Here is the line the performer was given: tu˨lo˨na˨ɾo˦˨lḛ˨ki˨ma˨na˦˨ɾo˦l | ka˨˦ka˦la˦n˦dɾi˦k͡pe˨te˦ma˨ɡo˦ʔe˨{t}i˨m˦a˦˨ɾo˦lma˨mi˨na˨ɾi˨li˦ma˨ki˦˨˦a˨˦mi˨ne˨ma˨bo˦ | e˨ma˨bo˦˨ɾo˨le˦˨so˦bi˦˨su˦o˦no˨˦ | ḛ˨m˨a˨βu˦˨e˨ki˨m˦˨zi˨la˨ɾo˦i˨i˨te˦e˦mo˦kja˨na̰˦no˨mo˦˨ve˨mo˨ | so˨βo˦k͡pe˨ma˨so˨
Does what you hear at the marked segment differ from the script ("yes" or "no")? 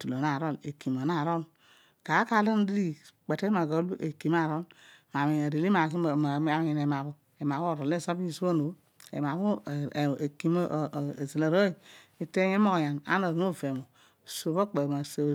yes